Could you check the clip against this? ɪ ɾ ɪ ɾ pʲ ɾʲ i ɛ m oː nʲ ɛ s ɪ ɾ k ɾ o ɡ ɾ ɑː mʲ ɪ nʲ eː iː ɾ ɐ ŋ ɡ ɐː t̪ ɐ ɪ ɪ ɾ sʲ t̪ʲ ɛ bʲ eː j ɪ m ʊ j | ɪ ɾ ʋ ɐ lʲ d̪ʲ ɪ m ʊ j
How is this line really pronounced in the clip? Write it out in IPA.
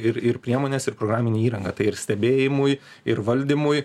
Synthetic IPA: ɪ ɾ ɪ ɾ pʲ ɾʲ i ɛ m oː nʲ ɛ s ɪ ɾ p ɾ o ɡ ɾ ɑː mʲ ɪ nʲ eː iː ɾ ɐ ŋ ɡ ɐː t̪ ɐ ɪ ɪ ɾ sʲ t̪ʲ ɛ bʲ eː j ɪ m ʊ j | ɪ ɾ ʋ ɐ lʲ d̪ʲ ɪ m ʊ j